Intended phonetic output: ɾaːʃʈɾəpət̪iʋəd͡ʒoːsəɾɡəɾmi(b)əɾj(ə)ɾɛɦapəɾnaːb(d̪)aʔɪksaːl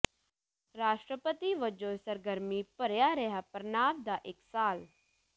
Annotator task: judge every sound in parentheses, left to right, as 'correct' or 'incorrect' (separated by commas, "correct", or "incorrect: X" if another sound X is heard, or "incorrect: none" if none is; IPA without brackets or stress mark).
incorrect: p, incorrect: a, correct